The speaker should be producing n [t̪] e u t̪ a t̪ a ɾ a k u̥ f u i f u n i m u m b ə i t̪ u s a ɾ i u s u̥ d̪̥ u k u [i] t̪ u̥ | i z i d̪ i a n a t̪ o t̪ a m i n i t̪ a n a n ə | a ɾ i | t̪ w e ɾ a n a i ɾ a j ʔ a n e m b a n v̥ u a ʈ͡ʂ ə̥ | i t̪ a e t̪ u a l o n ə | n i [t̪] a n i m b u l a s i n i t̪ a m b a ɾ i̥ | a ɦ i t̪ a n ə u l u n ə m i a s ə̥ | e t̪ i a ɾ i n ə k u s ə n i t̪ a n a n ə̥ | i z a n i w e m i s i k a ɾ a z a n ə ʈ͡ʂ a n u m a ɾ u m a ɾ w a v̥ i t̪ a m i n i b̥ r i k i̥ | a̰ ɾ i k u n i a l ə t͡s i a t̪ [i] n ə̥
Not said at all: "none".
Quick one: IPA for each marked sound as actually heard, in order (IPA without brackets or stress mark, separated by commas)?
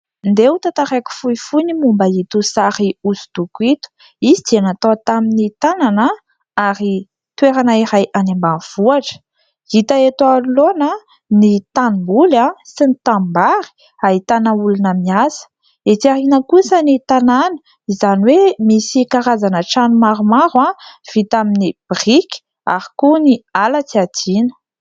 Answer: d̪, i, t̪, i